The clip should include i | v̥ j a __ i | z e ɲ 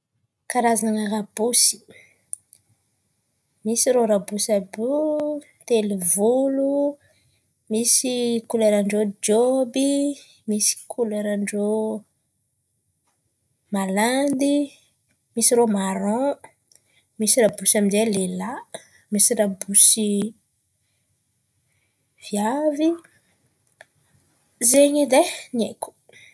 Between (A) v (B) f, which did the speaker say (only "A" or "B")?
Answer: A